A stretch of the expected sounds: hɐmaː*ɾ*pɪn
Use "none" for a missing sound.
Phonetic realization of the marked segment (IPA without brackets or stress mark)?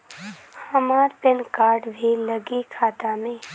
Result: ɾ